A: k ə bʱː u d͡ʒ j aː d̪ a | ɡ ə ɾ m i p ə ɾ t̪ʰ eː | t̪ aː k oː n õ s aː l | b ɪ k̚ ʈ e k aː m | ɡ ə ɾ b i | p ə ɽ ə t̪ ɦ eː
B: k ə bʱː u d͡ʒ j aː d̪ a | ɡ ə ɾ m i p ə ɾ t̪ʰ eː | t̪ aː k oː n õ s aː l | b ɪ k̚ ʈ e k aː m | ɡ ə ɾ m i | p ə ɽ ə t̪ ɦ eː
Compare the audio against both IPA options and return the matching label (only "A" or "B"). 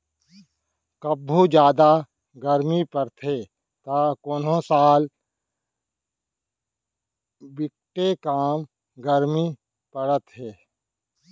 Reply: B